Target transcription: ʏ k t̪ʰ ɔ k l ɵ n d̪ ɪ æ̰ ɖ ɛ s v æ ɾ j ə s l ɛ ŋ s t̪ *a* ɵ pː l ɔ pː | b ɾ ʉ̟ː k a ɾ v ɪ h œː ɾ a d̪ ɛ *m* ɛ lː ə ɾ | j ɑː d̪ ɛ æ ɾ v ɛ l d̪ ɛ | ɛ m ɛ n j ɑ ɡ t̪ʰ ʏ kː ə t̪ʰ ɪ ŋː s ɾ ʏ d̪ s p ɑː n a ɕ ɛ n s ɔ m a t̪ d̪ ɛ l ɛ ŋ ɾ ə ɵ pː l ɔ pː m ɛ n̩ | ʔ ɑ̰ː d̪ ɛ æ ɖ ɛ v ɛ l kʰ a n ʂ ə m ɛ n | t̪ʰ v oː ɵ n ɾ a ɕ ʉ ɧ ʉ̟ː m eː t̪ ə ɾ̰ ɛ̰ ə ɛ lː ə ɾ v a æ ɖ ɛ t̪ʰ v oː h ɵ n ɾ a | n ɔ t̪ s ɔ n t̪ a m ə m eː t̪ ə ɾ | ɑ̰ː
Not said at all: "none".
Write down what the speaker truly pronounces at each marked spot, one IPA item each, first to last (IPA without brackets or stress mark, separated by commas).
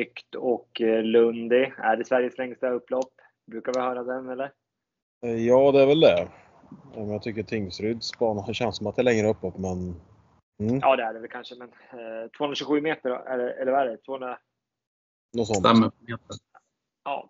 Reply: a, n